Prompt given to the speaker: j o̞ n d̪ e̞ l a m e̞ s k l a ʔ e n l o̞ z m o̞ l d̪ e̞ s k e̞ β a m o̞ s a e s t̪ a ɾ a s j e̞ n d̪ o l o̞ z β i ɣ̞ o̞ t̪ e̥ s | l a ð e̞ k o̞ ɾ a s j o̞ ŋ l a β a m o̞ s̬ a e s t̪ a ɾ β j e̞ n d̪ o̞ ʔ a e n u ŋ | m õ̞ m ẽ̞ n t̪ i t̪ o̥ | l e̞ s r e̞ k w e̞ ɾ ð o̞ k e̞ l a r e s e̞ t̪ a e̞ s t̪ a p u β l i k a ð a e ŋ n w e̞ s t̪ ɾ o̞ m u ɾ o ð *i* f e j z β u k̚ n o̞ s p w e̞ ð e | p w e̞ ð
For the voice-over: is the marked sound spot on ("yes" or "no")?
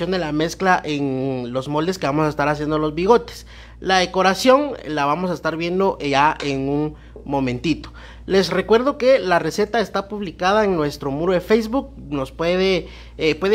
no